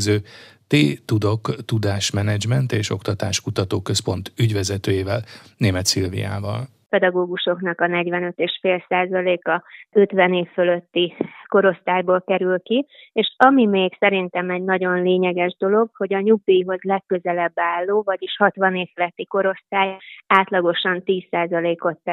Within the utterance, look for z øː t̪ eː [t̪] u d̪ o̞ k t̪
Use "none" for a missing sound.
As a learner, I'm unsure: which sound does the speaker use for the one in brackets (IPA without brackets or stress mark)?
t̪